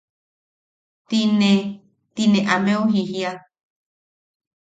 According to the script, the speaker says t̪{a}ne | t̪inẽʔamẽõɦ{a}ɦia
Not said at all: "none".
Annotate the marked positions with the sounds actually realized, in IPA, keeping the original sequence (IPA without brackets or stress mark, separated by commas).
i, i